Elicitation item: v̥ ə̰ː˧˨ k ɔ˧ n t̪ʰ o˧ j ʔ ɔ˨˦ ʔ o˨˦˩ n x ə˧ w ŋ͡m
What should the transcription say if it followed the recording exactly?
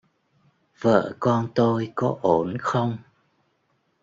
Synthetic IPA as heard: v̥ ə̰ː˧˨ k ɔ˧ n t̪ o˧ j k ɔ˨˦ ʔ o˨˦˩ n x ə˧ w ŋ͡m